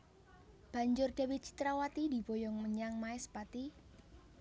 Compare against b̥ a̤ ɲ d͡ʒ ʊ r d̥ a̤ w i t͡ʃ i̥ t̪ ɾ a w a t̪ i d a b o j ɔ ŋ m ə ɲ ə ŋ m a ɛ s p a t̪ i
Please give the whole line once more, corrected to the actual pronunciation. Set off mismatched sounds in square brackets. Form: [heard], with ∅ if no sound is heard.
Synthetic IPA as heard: b̥ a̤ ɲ d͡ʒ ʊ r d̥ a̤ w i t͡ʃ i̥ t̪ ɾ a w a t̪ i d [i] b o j ɔ ŋ m ə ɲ [a] ŋ m a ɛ s p a t̪ i